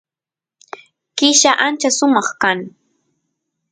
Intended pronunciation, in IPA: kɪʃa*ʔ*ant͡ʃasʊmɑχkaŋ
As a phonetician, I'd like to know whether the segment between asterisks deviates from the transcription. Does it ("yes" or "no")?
no